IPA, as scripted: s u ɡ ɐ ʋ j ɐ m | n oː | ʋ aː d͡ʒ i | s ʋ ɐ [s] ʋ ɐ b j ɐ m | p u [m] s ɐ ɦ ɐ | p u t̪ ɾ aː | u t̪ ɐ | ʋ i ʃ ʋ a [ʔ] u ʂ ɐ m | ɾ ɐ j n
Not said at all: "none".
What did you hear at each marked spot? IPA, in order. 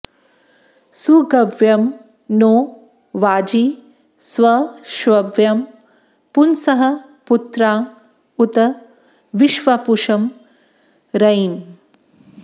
ʃ, n, p

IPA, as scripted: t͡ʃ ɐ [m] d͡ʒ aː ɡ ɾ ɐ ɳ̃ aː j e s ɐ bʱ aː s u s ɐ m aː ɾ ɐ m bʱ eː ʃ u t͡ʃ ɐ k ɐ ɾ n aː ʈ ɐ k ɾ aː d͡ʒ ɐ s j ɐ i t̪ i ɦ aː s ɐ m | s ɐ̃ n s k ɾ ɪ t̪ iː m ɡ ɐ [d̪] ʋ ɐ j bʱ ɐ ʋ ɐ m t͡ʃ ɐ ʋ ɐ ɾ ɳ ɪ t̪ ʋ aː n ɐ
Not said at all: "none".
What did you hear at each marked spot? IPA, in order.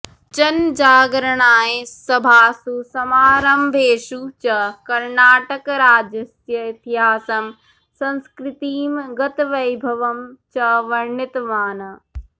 n, t̪

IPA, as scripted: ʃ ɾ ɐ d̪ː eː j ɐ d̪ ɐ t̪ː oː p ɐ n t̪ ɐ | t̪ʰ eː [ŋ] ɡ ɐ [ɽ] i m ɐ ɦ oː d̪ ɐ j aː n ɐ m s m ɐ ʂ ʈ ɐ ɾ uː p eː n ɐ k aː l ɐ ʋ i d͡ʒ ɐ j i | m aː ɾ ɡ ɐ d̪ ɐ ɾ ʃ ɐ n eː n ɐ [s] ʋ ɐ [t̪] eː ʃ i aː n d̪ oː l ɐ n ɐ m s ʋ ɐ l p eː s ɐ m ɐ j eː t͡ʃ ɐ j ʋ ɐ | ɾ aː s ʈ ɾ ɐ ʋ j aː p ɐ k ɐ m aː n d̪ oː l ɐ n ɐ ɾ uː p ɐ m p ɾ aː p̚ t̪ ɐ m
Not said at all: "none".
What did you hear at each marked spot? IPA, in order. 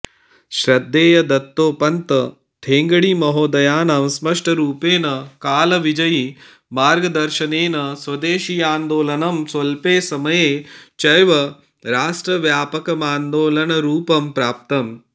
ŋ, ɽ, s, d̪

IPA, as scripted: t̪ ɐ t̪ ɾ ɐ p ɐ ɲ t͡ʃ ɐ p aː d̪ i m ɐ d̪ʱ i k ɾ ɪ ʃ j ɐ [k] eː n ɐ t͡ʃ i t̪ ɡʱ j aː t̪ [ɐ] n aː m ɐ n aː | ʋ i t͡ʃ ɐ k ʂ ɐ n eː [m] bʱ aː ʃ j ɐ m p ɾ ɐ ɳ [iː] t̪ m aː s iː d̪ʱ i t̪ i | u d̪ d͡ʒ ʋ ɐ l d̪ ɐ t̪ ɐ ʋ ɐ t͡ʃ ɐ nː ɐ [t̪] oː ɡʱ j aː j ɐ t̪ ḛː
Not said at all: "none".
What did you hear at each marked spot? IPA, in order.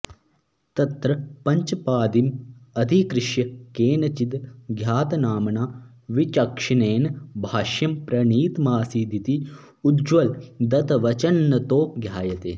k, ɐ, n, iː, t̪

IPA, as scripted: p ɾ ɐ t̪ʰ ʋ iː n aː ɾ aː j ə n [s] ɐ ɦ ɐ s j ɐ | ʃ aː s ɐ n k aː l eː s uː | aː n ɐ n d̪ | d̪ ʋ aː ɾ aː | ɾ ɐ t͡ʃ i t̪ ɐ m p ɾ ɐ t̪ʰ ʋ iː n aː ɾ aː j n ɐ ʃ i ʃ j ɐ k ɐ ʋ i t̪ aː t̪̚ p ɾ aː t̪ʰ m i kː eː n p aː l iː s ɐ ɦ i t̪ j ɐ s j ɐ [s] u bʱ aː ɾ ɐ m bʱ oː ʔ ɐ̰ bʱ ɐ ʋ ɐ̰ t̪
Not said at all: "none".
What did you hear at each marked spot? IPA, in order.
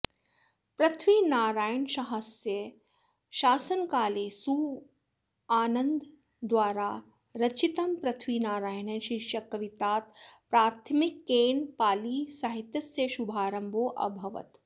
ʃ, ʃ

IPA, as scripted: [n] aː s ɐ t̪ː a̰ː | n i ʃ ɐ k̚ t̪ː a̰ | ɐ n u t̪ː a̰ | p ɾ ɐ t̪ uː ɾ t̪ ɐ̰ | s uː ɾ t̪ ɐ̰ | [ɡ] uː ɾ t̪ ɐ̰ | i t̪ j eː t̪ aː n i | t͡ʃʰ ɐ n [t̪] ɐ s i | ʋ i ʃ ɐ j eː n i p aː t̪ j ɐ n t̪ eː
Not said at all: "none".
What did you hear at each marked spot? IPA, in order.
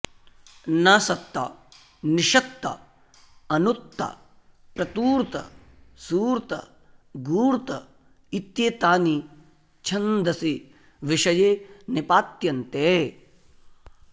n, ɡ, d̪

